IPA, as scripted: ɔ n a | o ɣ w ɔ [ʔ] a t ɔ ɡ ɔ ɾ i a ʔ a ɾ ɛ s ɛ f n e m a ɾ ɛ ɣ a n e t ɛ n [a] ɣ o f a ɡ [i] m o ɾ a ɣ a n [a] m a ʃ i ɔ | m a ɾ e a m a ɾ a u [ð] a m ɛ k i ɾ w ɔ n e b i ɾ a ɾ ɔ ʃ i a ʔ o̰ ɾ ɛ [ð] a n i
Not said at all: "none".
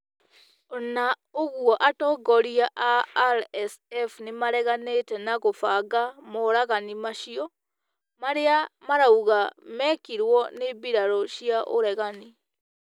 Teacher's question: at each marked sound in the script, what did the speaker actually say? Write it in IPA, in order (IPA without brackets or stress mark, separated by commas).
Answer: ʔ, a, a, i, ɣ, ɣ